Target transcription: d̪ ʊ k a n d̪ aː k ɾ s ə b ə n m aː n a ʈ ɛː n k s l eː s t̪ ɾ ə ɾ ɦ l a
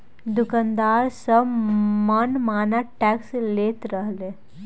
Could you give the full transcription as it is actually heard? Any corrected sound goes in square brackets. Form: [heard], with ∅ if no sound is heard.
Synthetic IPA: d̪ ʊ k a n d̪ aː [∅] ɾ s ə [m] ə n m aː n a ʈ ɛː [∅] k s l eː [∅] t̪ ɾ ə [∅] ɦ l [e]